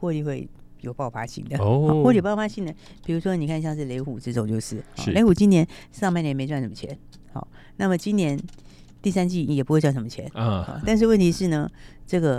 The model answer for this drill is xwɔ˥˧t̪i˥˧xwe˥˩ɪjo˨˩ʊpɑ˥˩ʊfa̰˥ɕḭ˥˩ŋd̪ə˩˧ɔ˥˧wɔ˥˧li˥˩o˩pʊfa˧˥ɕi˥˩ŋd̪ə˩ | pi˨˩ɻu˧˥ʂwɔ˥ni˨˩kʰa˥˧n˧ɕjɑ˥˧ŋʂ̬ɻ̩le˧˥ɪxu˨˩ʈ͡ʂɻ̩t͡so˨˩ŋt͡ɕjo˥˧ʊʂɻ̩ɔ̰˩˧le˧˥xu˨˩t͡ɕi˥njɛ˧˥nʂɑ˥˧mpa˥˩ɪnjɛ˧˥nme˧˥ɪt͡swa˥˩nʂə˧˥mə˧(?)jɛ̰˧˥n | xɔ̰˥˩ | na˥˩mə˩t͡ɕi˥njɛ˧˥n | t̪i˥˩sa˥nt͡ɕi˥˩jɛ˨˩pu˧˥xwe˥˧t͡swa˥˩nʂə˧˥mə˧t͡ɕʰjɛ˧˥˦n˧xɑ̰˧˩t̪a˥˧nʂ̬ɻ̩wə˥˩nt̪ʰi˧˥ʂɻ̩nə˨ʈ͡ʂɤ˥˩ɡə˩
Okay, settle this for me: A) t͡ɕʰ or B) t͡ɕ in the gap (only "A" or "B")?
A